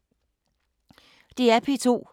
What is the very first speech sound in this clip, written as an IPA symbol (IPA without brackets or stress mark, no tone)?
d̥